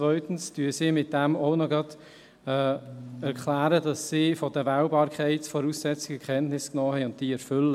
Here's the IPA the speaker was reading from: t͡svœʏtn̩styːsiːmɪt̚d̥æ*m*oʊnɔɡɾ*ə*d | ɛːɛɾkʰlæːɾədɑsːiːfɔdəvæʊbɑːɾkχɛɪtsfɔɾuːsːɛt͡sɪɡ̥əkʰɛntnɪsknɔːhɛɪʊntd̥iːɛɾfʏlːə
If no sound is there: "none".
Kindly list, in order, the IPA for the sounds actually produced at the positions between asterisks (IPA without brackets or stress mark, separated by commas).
m, ɑ